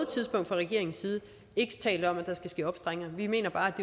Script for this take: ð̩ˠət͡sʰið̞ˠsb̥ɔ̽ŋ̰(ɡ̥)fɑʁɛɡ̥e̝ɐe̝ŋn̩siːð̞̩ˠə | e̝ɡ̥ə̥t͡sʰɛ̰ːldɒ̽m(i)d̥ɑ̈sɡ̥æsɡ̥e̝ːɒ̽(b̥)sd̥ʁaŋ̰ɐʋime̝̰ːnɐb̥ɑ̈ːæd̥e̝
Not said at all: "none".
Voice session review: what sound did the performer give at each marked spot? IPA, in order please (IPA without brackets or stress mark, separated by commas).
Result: d̥, æ, b̥